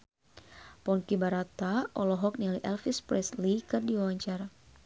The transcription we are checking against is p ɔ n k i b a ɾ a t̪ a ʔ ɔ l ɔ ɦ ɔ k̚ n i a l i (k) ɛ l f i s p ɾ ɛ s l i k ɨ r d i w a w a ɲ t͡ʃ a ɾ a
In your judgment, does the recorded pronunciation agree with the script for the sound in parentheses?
no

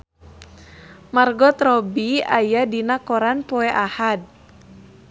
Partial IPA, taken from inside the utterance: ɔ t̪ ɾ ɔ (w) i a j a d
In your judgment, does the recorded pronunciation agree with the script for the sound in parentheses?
no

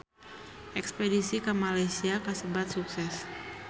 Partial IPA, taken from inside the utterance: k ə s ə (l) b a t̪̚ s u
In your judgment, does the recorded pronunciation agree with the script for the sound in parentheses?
no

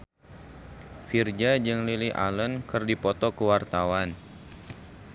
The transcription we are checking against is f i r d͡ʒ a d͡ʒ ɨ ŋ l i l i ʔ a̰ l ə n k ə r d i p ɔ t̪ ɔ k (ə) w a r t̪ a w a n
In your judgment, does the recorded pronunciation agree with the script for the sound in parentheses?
yes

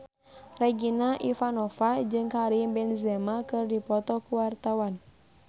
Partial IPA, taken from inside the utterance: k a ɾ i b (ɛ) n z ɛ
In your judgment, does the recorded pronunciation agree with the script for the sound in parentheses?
yes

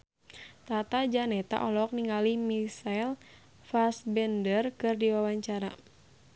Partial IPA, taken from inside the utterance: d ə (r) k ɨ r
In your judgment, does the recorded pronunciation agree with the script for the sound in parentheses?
yes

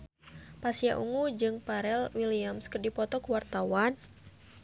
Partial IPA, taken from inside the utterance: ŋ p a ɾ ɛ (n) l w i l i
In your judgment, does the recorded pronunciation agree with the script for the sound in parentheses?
no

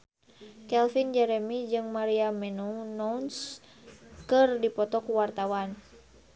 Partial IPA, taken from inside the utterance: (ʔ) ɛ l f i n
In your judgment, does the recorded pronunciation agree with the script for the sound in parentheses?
no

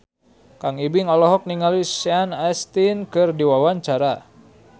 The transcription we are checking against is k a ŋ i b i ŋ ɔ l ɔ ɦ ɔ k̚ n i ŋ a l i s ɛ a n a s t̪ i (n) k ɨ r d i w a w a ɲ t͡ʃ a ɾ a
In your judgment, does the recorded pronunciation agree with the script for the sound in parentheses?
yes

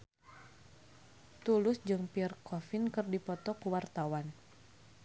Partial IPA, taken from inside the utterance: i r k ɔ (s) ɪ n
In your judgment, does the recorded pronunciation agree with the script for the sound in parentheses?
no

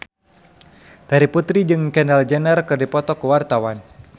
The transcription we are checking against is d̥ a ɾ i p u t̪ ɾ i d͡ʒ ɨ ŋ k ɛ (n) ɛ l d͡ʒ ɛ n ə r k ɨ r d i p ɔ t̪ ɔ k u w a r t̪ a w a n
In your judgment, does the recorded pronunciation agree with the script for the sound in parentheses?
yes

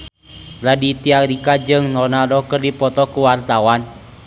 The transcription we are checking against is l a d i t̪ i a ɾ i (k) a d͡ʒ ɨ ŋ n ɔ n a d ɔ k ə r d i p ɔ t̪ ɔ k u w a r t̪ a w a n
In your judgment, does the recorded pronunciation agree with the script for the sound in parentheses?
yes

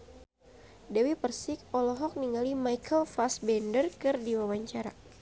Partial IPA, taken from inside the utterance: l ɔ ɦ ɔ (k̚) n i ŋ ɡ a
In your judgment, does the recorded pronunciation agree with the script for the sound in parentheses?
yes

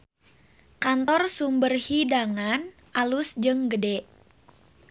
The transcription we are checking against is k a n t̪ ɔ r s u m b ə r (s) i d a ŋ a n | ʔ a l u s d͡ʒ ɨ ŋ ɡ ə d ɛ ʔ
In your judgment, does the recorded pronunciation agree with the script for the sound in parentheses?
no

